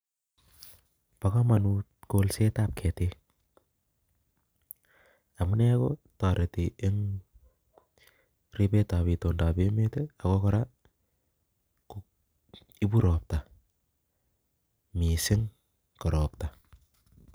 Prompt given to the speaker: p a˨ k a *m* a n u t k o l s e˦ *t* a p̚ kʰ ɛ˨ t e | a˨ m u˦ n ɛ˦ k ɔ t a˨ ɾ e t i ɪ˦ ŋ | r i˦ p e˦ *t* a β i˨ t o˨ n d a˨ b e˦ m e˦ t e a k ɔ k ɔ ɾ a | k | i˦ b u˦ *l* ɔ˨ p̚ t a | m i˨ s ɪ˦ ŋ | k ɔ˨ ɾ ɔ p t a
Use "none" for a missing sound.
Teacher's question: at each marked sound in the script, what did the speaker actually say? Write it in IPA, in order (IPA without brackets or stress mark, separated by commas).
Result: m, t, t, ɾ